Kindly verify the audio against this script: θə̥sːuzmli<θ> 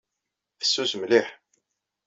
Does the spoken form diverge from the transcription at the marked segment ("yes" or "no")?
yes